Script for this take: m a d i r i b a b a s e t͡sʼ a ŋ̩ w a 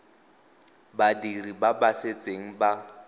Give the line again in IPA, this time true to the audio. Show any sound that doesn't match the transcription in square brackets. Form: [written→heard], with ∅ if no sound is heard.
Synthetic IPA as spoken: [m→b] a d i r i b a b a s e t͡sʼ [a→e] ŋ̩ [w→b] a

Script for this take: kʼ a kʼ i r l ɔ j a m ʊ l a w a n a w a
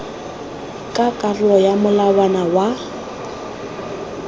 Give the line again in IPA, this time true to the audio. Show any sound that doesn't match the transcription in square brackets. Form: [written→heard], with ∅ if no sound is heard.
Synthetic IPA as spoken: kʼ a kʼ [i→a] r l ɔ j a m ʊ l a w a n a w a

